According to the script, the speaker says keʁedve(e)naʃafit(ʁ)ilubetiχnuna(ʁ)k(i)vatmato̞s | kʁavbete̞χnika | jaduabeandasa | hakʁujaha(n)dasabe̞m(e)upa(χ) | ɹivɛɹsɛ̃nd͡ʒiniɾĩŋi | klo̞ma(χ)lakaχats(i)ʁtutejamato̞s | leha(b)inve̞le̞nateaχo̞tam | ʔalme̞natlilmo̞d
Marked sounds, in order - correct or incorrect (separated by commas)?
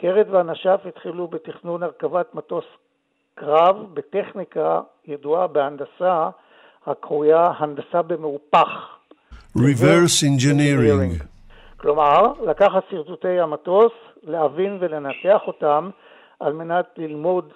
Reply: incorrect, incorrect, correct, incorrect, correct, correct, correct, incorrect, correct, incorrect